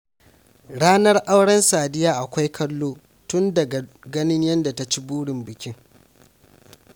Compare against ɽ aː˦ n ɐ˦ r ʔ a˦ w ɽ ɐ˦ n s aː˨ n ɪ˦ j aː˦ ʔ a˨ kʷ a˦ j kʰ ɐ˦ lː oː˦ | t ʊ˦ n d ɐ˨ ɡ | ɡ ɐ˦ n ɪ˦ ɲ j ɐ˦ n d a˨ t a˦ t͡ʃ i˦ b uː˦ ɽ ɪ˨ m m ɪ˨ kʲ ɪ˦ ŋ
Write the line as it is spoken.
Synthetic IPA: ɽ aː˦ n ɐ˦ r ʔ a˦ w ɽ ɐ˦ n s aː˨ d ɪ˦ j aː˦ ʔ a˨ kʷ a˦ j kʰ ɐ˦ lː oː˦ | t ʊ˦ n d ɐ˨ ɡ | ɡ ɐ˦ n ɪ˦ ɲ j ɐ˦ n d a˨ t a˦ t͡ʃ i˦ b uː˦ ɽ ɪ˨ m b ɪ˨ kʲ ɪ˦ ŋ

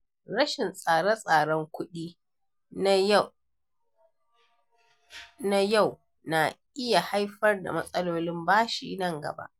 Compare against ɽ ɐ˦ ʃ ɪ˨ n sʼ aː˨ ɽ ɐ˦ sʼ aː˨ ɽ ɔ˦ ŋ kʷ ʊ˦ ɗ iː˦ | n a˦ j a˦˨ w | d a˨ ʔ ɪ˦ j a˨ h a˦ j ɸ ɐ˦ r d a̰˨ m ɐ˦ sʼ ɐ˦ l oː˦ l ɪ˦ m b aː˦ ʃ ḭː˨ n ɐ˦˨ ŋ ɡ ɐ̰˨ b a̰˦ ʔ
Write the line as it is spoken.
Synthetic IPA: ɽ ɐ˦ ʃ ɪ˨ n sʼ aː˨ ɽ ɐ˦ sʼ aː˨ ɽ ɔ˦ ŋ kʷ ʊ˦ ɗ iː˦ | n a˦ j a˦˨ w | n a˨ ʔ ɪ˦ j a˨ h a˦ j ɸ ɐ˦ r d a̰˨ m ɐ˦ sʼ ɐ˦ l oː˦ l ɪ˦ m b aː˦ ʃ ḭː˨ n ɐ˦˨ ŋ ɡ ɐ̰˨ b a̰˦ ʔ

